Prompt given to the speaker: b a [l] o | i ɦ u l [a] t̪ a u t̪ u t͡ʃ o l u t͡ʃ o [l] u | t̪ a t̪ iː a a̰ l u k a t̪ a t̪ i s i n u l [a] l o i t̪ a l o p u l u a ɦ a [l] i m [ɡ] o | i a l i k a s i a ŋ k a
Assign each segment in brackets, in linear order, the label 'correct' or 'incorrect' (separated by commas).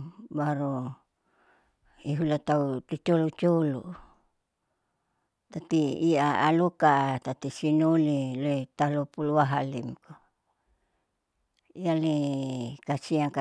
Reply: incorrect, correct, correct, incorrect, correct, incorrect